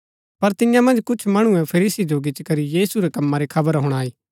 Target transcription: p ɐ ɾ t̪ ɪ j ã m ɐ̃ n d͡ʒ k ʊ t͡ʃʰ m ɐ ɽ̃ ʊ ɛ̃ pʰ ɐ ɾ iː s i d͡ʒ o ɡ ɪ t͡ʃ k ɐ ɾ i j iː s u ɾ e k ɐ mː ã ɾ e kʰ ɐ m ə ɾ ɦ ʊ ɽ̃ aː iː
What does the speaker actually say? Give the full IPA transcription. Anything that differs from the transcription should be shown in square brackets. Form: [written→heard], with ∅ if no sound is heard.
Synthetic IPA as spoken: p ɐ ɾ t̪ ɪ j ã m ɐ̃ n d͡ʒ k ʊ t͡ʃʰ m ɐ ɽ̃ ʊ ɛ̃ pʰ ɐ ɾ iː s i d͡ʒ o ɡ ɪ t͡ʃ k ɐ ɾ i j iː s u ɾ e k ɐ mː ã ɾ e kʰ ɐ [m→b] ə ɾ ɦ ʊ ɽ̃ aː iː

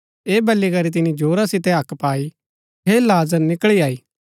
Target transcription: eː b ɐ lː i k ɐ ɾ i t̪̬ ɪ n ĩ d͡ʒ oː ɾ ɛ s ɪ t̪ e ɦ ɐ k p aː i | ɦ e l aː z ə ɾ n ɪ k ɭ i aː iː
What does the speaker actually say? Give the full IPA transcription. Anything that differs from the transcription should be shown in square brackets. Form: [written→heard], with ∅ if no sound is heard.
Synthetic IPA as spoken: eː b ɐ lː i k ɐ ɾ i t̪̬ ɪ n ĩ d͡ʒ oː ɾ [ɛ→a] s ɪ t̪ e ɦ ɐ k p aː i | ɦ e l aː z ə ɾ n ɪ k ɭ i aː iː

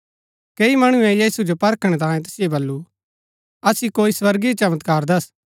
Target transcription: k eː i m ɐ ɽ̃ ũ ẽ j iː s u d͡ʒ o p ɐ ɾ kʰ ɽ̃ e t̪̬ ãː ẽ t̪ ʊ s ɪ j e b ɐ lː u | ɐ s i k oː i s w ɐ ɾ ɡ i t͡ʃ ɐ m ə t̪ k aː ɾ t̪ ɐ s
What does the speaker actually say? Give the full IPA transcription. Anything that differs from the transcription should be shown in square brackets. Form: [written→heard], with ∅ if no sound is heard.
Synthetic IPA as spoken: k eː i m ɐ ɽ̃ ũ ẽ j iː s u d͡ʒ o p ɐ ɾ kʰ ɽ̃ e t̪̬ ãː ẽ t̪ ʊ s ɪ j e b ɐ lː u | ɐ s i k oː i s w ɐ ɾ ɡ i t͡ʃ ɐ m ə t̪ k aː ɾ [t̪→d̪] ɐ s

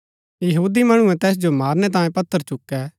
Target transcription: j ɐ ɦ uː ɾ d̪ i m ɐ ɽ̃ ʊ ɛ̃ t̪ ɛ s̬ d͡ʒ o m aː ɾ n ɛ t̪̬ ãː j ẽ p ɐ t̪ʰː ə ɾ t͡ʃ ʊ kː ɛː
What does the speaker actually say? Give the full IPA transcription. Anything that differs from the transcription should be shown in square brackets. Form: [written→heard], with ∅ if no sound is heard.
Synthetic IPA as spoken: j ɐ ɦ uː [ɾ→∅] d̪ i m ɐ ɽ̃ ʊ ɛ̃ t̪ [ɛ→ɛː] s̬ d͡ʒ o m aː ɾ n ɛ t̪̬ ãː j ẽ p ɐ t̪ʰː ə ɾ t͡ʃ ʊ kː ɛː

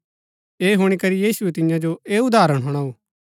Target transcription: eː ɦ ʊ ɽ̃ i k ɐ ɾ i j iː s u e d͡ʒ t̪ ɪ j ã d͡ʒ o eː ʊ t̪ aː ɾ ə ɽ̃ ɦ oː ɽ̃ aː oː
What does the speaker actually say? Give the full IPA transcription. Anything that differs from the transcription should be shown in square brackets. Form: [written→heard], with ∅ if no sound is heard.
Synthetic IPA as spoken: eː ɦ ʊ ɽ̃ i k ɐ ɾ i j iː s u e [d͡ʒ→∅] t̪ ɪ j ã d͡ʒ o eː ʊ [t̪→d̪] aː ɾ ə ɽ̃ ɦ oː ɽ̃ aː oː

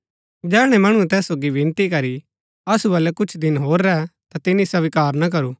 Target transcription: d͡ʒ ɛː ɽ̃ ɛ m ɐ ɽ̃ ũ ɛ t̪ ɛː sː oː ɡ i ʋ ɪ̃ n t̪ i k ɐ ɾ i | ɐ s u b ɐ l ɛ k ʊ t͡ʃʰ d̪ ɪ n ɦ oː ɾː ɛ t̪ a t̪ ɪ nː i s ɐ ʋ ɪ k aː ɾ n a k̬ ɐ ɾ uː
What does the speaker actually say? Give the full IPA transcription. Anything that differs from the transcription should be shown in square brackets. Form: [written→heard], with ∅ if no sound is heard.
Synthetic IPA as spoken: d͡ʒ ɛː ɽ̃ ɛ m ɐ ɽ̃ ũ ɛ t̪ ɛː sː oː ɡ i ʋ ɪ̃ n t̪ i k ɐ ɾ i | ɐ s u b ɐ l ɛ k ʊ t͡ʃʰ d̪ ɪ n ɦ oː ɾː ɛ t̪ a t̪ ɪ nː i s ɐ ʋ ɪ k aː ɾ n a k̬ ɐ ɾ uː

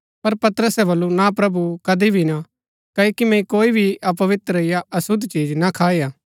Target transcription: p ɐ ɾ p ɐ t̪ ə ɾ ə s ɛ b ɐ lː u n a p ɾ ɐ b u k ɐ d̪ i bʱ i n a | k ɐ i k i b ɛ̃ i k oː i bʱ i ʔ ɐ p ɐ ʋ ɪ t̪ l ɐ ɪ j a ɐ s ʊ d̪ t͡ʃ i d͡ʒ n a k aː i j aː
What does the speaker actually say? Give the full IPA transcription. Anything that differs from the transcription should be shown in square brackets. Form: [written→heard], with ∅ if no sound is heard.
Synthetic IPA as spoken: p ɐ ɾ p ɐ t̪ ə ɾ ə s ɛ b ɐ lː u n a p ɾ ɐ b u k ɐ d̪ i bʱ i n a | k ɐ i k i [b→m] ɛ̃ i k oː i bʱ i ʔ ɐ p ɐ ʋ ɪ t̪ [l→ɾ] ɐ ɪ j a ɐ s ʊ d̪ t͡ʃ [i→iː] d͡ʒ n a [k→kʰ] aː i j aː

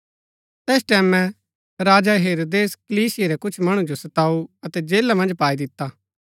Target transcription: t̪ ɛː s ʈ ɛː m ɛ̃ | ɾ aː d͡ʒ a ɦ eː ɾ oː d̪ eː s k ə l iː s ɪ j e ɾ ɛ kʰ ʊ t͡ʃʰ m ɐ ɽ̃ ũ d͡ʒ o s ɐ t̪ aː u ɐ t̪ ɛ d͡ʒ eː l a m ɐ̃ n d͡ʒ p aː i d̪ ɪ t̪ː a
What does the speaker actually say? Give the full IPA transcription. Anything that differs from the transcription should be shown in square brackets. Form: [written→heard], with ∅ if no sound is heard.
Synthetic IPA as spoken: t̪ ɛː s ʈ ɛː m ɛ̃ | ɾ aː d͡ʒ a ɦ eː ɾ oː d̪ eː s k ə l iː s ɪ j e ɾ ɛ [kʰ→k] ʊ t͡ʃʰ m ɐ ɽ̃ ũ d͡ʒ o s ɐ t̪ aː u ɐ t̪ ɛ d͡ʒ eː l a m ɐ̃ n d͡ʒ p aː i d̪ ɪ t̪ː a

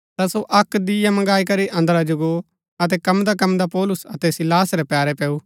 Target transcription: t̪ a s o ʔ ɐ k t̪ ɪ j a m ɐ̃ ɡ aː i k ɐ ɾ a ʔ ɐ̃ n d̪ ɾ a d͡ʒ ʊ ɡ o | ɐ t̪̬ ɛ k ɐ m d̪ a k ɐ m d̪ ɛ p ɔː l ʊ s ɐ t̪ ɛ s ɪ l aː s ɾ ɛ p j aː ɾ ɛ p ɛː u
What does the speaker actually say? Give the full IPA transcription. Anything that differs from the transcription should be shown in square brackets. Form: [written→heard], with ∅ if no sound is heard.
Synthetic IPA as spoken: t̪ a s o ʔ ɐ k [t̪→d̪] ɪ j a m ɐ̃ ɡ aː i k ɐ ɾ [a→i] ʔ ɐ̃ n d̪ ɾ a d͡ʒ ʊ ɡ o | ɐ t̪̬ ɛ k ɐ m d̪ a k ɐ m d̪ [ɛ→a] p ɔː l ʊ s ɐ t̪ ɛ s ɪ l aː s ɾ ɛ p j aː ɾ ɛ p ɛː u

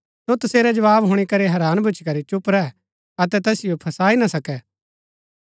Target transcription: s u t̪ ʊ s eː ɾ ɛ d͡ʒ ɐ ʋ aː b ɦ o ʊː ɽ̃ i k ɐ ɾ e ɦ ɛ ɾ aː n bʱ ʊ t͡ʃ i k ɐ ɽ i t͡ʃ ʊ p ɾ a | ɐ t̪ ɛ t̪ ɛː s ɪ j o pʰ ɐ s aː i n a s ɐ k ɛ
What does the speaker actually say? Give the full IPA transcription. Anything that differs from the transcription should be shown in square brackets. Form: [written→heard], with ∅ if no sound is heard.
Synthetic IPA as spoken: s [u→o] t̪ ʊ s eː ɾ ɛ d͡ʒ ɐ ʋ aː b ɦ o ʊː ɽ̃ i k ɐ ɾ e ɦ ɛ ɾ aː n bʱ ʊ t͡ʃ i k ɐ [ɽ→ɾ] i t͡ʃ ʊ p ɾ [a→ɛ] | ɐ t̪ ɛ t̪ ɛː s ɪ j o pʰ ɐ s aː i n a s ɐ k ɛ

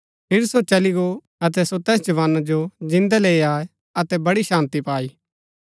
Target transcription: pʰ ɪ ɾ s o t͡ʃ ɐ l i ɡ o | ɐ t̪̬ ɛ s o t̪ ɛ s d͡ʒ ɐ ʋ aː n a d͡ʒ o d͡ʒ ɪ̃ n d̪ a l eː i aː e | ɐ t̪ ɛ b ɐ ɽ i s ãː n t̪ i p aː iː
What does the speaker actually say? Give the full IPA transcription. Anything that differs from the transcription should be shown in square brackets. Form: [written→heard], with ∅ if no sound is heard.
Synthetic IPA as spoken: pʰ ɪ ɾ s o t͡ʃ ɐ l i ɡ o | ɐ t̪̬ ɛ s o t̪ [ɛ→ɛː] s d͡ʒ ɐ ʋ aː n a d͡ʒ o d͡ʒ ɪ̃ n d̪ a l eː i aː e | ɐ t̪ ɛ b ɐ ɽ i [s→ʃ] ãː n t̪ i p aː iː

